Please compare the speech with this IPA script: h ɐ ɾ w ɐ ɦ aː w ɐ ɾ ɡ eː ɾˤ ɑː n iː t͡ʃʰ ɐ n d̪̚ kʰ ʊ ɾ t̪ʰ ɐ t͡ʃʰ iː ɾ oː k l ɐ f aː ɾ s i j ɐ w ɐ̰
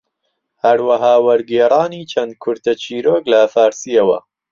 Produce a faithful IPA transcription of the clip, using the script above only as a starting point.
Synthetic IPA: h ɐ ɾ w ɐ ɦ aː w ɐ ɾ ɡ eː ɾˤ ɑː n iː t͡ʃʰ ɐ n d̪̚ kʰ ʊ ɾ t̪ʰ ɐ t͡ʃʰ iː ɾ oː k l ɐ f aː ɾ s i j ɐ w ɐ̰